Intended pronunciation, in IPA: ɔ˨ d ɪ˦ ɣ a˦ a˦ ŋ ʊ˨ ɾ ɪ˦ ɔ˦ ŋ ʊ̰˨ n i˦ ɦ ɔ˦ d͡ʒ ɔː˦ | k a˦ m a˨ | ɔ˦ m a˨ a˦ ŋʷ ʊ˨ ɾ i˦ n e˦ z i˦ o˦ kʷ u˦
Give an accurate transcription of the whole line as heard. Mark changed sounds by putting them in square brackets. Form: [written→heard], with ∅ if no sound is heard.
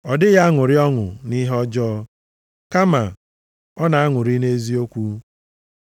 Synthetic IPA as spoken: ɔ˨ d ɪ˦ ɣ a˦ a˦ ŋ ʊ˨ ɾ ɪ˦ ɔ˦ ŋ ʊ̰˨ n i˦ ɦ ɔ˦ d͡ʒ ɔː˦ | k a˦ m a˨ | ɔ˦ [m→n] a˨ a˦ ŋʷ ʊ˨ ɾ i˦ n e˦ z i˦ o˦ kʷ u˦